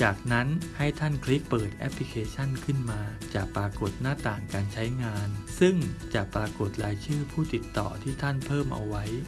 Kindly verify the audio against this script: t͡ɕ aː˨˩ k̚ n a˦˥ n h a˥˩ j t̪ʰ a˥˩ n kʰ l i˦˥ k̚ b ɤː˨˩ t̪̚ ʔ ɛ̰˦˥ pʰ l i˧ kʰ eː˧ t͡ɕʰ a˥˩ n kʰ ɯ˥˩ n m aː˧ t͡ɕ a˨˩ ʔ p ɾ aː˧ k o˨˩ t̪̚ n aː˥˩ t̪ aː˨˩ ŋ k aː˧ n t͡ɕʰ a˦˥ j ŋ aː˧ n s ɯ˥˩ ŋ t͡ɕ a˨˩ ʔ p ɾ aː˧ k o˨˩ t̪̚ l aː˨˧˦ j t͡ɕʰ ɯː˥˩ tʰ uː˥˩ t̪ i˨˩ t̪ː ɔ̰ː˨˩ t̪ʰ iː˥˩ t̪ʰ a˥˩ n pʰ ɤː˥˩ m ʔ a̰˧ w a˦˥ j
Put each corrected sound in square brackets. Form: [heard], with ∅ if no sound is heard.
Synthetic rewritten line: t͡ɕ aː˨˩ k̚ n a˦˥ n h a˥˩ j t̪ʰ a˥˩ n kʰ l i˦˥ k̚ [p] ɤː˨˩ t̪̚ ʔ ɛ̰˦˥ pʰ l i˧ kʰ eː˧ t͡ɕʰ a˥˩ n kʰ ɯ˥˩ n m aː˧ t͡ɕ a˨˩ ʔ p ɾ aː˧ k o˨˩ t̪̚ n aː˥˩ t̪ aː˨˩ ŋ k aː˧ n t͡ɕʰ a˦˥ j ŋ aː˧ n s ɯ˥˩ ŋ t͡ɕ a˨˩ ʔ p ɾ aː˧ k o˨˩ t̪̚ l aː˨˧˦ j t͡ɕʰ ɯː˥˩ [pʰ] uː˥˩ t̪ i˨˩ t̪ː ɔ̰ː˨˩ t̪ʰ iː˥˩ t̪ʰ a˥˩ n pʰ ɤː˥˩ m ʔ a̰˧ w a˦˥ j

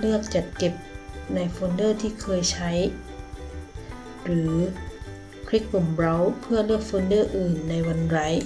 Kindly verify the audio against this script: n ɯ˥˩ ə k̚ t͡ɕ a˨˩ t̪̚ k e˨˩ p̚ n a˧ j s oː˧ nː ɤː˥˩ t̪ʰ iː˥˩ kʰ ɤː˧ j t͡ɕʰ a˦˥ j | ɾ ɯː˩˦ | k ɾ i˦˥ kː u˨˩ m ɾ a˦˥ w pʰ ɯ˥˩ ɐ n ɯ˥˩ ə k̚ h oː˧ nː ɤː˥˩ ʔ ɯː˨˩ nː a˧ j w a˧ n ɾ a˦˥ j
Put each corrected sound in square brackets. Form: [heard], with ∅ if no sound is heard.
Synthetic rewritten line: n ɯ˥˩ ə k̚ t͡ɕ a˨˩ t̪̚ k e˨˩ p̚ n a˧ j [f] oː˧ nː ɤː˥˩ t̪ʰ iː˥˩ kʰ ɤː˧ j t͡ɕʰ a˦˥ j | ɾ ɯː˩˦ | [kʰ] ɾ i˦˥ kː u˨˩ m ɾ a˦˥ w pʰ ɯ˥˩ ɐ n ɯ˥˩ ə k̚ [f] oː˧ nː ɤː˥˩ ʔ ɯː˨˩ nː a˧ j w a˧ n ɾ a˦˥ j

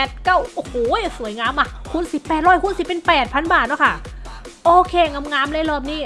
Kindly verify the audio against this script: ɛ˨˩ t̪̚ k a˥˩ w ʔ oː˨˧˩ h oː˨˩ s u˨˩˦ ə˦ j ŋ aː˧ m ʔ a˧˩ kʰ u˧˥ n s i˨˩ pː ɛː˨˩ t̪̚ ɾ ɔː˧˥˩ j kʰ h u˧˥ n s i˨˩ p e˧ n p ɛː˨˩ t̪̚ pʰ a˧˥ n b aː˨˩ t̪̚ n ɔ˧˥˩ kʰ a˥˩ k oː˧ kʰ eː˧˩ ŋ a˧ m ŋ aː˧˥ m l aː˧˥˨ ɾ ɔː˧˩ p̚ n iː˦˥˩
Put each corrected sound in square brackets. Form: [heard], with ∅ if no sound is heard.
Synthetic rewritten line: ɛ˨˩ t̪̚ k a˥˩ w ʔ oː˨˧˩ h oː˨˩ s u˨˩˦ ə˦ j ŋ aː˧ m ʔ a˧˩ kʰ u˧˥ n s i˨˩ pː ɛː˨˩ t̪̚ ɾ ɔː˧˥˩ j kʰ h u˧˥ n s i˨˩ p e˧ n p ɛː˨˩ t̪̚ pʰ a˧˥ n b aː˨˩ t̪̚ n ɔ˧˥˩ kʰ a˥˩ [ʔ] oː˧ kʰ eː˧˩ ŋ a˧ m ŋ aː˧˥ m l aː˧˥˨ [l] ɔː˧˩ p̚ n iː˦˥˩

